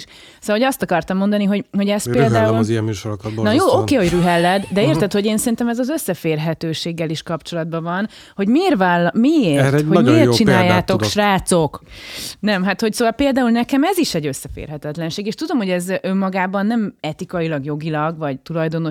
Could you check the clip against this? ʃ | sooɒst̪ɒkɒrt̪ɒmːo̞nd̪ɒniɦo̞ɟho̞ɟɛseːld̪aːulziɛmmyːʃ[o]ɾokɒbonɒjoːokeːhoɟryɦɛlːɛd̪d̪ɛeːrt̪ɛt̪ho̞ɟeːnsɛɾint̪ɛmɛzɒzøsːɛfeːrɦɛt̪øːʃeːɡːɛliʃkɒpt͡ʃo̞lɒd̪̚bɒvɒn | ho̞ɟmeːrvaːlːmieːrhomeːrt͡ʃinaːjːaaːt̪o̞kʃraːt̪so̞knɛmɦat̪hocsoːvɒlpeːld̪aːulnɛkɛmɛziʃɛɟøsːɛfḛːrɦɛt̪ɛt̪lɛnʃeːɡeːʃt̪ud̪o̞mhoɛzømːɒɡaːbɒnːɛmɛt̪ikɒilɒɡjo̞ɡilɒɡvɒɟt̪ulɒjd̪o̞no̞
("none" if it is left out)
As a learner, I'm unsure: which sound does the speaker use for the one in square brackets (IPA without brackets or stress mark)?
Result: o